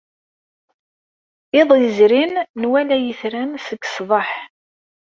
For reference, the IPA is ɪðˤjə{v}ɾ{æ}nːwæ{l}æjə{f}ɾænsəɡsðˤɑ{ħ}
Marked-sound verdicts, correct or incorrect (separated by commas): incorrect, incorrect, correct, incorrect, correct